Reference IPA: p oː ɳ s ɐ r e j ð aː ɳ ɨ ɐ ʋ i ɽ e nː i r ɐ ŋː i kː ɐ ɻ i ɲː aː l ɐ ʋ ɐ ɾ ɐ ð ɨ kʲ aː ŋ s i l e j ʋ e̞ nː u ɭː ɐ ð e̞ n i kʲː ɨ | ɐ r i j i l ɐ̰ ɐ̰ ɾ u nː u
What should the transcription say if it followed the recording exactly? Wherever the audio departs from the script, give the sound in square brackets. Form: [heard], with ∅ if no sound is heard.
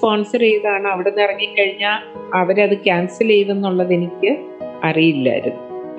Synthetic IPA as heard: p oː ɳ s ɐ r e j ð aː ɳ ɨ ɐ ʋ i ɽ e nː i r ɐ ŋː i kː ɐ ɻ i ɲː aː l ɐ ʋ ɐ ɾ ɐ ð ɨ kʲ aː [n] s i l e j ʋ e̞ nː u ɭː ɐ ð e̞ n i kʲː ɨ | ɐ r i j i [lː] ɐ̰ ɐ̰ ɾ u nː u